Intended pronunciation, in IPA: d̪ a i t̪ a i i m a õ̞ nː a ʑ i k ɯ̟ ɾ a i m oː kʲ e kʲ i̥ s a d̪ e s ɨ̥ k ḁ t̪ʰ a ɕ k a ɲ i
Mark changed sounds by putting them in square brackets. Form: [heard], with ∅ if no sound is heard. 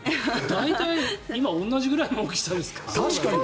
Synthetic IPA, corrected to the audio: d̪ a i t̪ a i i m a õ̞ nː a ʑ i [ɡ] ɯ̟ ɾ a i m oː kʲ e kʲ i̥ s a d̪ e s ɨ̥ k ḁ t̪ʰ a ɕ k a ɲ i